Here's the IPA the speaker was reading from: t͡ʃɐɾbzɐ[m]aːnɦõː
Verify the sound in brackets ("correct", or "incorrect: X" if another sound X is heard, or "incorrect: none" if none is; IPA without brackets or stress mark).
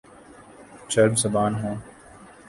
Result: incorrect: b